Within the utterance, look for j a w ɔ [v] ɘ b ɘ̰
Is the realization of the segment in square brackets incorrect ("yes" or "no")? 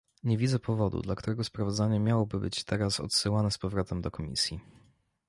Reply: yes